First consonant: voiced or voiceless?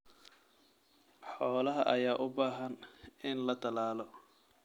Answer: voiceless